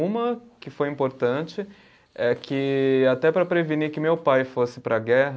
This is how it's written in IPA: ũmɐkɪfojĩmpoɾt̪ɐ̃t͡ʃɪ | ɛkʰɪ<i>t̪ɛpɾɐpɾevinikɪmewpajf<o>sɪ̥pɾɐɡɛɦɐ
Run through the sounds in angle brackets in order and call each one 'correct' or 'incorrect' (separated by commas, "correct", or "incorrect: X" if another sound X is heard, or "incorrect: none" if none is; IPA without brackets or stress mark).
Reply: incorrect: a, correct